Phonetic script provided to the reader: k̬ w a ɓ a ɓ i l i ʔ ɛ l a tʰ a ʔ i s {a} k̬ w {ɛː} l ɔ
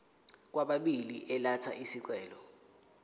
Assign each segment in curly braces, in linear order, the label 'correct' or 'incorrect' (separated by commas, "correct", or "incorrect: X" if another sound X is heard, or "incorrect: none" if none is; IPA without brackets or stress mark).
incorrect: i, correct